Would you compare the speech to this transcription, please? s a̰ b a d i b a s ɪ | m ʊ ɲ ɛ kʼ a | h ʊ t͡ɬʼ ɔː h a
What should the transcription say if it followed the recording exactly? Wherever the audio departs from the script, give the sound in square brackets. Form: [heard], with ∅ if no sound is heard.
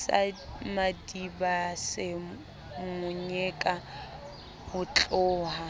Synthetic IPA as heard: s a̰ [m] a d i b a s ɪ | m ʊ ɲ ɛ kʼ a | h ʊ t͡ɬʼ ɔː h a